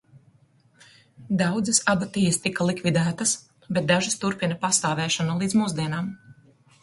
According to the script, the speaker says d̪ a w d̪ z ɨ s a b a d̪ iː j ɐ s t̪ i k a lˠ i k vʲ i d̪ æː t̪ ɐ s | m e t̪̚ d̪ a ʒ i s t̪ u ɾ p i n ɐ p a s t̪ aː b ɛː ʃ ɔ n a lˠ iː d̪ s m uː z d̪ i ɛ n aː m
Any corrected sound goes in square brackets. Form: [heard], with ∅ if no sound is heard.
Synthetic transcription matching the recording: d̪ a w d̪ z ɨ s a b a [t̪] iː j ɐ s t̪ i k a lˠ i k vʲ i d̪ æː t̪ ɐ s | [b] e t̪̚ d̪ a ʒ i s t̪ u ɾ p i n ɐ p a s t̪ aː [v] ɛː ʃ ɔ n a lˠ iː d̪ [z] m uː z d̪ i ɛ n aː m